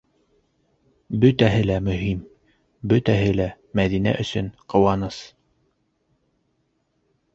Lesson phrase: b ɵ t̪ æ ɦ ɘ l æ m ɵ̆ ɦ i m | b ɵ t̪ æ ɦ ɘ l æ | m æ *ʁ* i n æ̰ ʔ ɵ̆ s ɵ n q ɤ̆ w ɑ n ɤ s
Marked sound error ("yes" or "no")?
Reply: yes